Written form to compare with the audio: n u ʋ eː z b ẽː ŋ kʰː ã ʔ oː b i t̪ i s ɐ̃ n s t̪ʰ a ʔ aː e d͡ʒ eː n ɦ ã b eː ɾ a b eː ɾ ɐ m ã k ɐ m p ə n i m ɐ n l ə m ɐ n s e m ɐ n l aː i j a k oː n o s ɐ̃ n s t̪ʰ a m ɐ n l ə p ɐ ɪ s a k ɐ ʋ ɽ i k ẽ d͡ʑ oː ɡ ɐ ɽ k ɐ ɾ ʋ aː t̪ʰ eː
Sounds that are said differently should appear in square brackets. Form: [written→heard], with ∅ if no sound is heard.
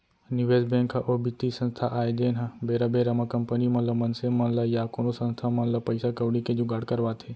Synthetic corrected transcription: n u ʋ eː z b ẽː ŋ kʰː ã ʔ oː b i t̪ i s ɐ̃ n s t̪ʰ a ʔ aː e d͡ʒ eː n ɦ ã b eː ɾ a b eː ɾ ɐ m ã k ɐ m p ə n i m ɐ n l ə m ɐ n s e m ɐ n l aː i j a k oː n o s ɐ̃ n s t̪ʰ a m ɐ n l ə p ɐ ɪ s a k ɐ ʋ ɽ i k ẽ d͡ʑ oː ɡ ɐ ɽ k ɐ ɾ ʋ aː t̪ʰ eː